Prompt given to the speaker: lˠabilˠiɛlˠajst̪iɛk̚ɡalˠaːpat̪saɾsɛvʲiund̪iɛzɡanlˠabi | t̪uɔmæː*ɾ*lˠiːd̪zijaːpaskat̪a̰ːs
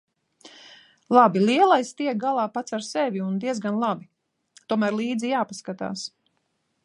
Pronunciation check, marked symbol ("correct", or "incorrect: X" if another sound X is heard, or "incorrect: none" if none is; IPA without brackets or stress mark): correct